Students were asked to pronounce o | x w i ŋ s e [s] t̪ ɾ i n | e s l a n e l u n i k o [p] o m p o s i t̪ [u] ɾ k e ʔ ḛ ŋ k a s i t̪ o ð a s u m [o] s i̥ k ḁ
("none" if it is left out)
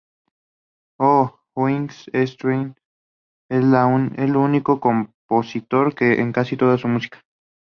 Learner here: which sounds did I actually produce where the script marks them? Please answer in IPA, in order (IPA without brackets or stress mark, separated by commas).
s, k, o, u